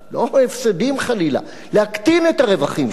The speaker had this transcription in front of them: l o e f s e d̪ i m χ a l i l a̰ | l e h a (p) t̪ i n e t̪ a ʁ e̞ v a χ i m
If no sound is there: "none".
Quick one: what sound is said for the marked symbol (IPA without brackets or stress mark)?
k